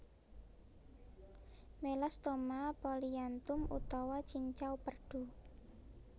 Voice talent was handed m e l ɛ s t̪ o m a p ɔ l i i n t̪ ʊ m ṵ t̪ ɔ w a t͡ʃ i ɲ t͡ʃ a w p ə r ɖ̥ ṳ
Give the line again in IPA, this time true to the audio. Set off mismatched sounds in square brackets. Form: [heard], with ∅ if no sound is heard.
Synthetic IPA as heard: m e l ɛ s t̪ o m a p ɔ l i [a] n t̪ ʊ m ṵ t̪ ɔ w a t͡ʃ i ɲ t͡ʃ a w p ə r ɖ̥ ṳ